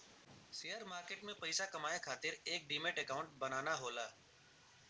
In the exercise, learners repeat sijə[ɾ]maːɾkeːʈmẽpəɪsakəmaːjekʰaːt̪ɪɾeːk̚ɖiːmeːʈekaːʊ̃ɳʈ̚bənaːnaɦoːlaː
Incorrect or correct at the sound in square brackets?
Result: correct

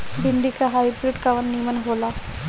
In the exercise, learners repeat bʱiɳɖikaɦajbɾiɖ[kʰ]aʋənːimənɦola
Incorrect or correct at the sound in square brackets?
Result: incorrect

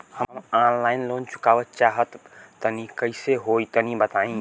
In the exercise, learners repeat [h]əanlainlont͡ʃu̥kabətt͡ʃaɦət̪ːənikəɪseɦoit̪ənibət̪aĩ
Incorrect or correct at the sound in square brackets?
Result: correct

